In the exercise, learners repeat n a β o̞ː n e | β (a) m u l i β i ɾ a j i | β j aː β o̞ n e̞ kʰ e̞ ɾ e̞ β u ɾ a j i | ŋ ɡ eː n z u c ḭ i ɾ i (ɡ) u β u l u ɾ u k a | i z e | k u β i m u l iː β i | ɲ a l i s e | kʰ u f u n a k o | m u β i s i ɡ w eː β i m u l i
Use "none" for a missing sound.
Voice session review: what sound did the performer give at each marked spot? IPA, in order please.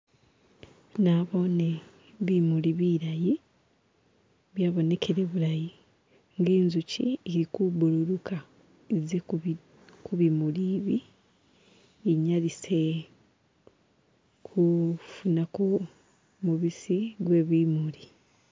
i, k

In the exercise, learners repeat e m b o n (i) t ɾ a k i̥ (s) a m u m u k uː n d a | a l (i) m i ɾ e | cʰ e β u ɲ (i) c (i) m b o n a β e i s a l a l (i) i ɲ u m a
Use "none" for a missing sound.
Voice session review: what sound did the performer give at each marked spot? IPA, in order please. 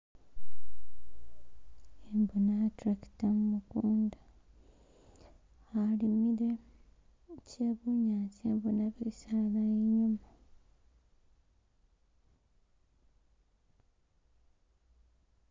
a, t, i, a, e, a

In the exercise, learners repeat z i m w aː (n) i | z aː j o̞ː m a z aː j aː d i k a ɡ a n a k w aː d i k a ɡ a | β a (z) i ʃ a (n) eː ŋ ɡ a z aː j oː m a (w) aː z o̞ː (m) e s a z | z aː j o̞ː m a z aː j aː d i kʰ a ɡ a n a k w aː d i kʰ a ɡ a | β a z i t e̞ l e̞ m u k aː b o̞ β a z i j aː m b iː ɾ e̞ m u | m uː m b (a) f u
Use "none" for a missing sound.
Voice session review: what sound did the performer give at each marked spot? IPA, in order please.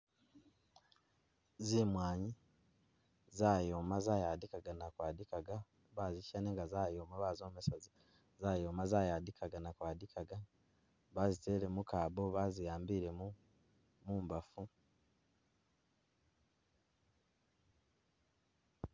ɲ, z, n, β, m, a

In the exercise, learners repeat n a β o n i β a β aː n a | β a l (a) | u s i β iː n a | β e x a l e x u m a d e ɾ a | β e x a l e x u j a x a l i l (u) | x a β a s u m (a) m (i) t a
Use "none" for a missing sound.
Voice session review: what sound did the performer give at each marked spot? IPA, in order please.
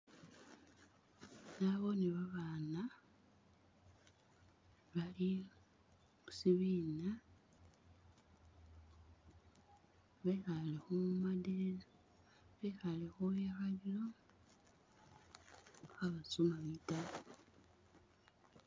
i, o, a, i

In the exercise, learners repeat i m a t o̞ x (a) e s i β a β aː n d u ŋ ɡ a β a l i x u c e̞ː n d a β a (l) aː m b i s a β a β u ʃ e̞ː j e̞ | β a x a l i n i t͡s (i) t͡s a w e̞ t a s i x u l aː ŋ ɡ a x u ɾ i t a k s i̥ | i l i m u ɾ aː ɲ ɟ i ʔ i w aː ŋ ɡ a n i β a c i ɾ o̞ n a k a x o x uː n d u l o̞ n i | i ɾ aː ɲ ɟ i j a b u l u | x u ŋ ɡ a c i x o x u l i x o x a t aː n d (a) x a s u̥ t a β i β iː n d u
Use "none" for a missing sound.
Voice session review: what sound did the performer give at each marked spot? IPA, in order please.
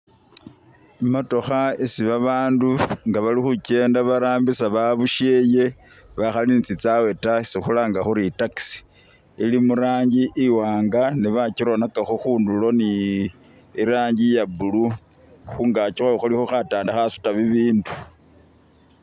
a, ɾ, i, a

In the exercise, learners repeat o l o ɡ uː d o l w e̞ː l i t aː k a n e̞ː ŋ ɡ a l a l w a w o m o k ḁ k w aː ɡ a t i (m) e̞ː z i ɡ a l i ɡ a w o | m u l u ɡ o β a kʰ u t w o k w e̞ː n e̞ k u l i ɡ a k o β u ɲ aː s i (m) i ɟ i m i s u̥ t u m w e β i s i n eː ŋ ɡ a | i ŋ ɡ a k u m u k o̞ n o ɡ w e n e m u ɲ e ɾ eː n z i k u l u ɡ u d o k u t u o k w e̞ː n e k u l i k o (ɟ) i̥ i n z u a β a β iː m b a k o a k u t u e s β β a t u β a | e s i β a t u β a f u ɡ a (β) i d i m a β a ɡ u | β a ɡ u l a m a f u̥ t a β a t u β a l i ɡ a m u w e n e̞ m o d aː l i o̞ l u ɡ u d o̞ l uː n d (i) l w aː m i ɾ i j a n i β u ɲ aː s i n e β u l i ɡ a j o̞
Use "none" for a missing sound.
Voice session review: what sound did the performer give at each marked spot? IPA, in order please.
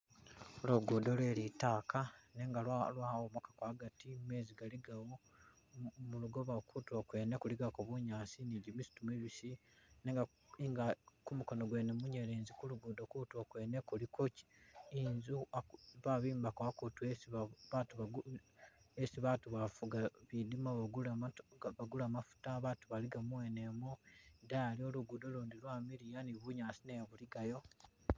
m, n, c, β, i

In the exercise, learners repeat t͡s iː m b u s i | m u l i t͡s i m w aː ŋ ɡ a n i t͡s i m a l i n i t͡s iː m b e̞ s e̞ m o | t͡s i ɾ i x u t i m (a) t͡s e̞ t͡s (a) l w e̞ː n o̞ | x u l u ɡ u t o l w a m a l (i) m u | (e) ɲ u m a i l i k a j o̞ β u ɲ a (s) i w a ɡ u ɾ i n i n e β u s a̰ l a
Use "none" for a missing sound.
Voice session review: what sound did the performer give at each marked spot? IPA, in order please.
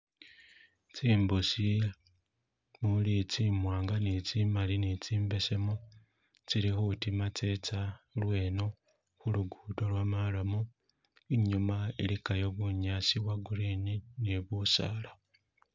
a, a, a, i, s

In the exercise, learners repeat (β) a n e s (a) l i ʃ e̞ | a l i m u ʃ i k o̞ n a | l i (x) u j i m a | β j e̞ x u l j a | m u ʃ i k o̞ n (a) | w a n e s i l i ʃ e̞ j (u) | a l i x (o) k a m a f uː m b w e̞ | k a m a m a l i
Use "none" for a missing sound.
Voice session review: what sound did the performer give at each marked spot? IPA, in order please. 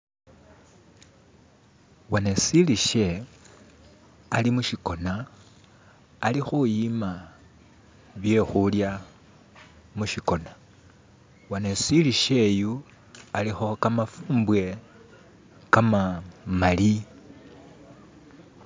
w, i, x, a, u, o

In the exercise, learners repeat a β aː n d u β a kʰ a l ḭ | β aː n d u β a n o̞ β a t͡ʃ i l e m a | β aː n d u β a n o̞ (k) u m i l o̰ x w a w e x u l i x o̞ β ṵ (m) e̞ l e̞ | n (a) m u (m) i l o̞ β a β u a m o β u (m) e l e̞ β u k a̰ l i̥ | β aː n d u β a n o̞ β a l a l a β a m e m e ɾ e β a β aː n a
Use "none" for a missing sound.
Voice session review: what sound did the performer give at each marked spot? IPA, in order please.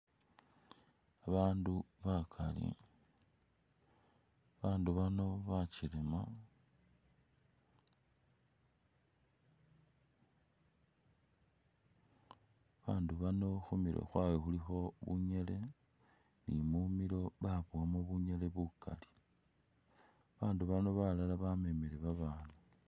x, ɲ, i, m, ɲ

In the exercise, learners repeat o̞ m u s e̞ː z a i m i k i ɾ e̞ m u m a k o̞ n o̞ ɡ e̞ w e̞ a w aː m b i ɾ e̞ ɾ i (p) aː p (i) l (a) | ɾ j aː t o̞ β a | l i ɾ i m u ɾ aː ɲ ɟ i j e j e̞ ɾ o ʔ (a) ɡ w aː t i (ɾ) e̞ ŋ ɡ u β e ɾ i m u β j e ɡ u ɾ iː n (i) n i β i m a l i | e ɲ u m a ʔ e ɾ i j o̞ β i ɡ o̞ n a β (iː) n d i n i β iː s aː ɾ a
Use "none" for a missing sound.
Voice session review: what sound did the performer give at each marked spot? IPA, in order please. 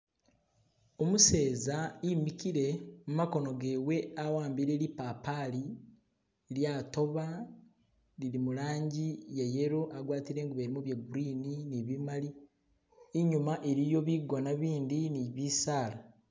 p, a, i, a, ɾ, i, iː

